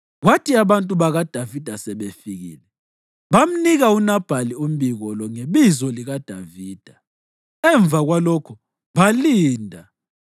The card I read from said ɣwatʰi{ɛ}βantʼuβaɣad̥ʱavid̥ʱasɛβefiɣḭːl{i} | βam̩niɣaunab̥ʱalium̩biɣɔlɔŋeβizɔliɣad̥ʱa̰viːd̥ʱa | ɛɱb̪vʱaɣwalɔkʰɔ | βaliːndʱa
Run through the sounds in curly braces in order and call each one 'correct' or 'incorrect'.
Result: incorrect, incorrect

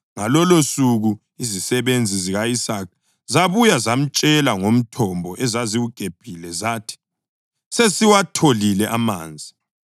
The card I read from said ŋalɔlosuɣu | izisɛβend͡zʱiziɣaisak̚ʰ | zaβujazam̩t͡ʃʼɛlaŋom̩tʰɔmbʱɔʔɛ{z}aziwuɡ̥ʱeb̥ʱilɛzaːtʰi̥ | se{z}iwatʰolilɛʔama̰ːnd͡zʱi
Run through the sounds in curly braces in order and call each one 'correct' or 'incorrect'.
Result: correct, incorrect

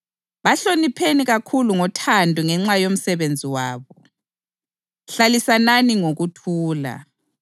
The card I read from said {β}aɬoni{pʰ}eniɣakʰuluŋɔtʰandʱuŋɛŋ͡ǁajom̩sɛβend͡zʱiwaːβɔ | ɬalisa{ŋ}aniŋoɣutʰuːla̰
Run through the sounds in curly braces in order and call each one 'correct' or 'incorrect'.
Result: correct, correct, incorrect

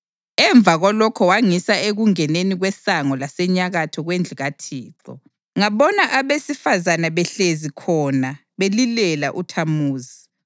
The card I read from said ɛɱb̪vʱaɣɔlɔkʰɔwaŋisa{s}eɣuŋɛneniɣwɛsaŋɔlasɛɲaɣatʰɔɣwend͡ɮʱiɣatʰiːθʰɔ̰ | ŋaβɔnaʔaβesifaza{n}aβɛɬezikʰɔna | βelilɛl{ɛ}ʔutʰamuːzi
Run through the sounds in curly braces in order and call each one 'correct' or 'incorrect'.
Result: incorrect, correct, incorrect

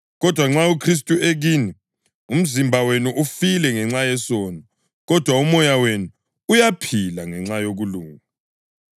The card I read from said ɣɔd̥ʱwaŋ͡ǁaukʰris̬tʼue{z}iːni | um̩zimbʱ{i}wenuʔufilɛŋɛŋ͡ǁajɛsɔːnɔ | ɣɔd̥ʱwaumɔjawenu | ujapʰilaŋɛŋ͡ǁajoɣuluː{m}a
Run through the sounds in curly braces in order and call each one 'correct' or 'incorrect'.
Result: incorrect, incorrect, incorrect

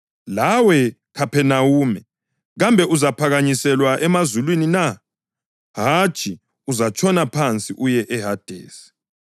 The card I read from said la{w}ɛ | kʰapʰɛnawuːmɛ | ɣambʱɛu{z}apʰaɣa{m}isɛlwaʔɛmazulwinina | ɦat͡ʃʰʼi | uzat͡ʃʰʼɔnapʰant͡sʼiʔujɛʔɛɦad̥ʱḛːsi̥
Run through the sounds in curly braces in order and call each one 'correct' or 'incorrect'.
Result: correct, correct, incorrect

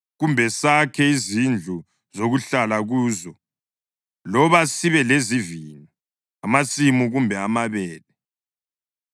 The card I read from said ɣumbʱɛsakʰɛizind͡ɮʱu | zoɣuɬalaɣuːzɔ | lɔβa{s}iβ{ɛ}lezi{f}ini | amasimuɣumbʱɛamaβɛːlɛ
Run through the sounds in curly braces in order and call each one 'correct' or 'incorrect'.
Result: correct, correct, incorrect

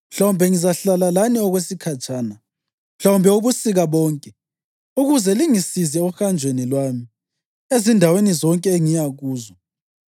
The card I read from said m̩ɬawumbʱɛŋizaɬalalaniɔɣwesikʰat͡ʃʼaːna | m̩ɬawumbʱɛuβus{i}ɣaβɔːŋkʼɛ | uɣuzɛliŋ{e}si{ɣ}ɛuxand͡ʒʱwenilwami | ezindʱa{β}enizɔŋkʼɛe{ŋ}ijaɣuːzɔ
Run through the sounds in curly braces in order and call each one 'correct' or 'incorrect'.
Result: correct, incorrect, incorrect, incorrect, correct

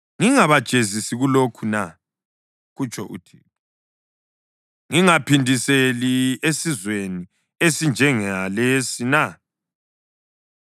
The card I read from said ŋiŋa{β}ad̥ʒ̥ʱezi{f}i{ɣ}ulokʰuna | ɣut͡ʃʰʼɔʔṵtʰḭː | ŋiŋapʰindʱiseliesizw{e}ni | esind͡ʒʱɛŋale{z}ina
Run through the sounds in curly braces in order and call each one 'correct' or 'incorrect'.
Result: correct, incorrect, correct, correct, incorrect

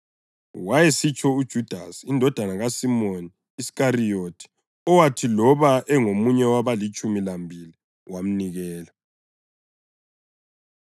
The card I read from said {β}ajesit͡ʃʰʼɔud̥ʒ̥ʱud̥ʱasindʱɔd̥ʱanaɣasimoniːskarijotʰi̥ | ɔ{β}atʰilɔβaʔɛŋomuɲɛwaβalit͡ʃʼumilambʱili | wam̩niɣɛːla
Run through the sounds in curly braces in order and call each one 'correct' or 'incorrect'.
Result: incorrect, incorrect

